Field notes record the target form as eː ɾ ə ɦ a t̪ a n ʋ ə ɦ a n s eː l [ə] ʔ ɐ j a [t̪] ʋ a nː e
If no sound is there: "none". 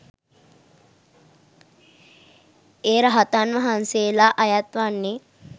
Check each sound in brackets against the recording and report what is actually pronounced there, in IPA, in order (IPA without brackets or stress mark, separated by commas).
a, t̪